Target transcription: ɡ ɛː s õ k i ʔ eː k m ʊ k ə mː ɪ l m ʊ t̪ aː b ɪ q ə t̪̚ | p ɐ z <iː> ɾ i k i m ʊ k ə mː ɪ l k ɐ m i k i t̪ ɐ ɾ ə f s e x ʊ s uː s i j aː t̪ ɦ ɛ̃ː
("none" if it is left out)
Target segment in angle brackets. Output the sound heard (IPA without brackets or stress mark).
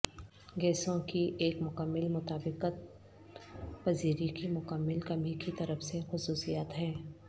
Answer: iː